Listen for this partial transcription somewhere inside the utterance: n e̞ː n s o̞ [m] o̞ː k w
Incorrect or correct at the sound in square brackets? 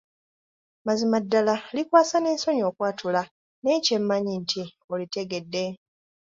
incorrect: ɲ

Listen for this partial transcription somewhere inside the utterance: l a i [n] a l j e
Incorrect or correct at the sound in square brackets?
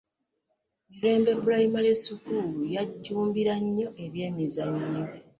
incorrect: m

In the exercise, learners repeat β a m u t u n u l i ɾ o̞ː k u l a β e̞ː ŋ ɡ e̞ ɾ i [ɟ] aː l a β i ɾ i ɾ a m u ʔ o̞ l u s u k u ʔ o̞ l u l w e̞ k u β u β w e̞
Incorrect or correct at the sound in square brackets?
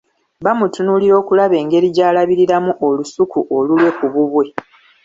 correct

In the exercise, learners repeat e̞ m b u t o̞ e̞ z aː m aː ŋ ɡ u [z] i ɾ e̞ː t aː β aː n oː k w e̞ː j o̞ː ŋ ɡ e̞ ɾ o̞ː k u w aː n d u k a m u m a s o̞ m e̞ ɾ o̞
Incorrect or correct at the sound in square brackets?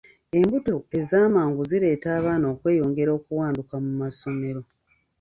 correct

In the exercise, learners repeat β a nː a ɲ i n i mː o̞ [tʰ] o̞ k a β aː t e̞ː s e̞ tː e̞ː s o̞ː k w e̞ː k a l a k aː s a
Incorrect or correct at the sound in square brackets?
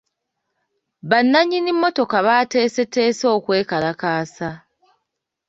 incorrect: t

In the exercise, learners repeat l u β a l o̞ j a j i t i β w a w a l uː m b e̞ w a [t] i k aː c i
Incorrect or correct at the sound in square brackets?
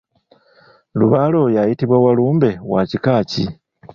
incorrect: c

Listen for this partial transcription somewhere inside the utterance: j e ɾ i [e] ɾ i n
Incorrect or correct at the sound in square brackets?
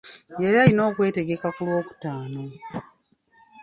incorrect: a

